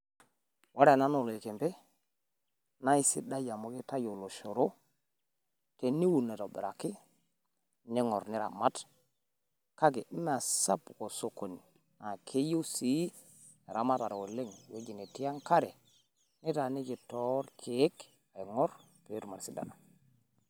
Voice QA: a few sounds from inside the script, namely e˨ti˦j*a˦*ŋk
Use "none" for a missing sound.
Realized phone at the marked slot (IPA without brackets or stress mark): a˦